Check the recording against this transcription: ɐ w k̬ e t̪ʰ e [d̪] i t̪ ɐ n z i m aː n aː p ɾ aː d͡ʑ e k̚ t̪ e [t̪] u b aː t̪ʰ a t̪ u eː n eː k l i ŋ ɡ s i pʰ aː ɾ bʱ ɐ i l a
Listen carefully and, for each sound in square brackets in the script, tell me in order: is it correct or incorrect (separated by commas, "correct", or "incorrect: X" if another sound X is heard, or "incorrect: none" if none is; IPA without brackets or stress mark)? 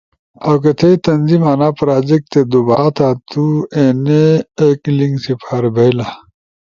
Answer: incorrect: none, incorrect: d̪